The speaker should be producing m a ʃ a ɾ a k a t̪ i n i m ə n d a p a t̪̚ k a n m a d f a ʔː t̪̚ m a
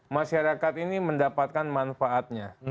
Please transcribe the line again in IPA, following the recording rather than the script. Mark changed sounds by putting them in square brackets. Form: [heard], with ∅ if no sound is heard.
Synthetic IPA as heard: m a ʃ a ɾ a k a t̪ i n i m ə n d a p a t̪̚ k a n m a [n] f a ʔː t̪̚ [ɲ] a